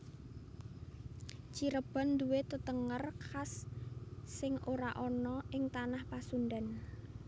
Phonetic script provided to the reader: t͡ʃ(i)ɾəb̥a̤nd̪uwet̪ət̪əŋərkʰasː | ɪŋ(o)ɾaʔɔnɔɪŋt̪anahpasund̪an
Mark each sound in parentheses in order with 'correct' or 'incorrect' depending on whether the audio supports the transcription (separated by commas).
correct, correct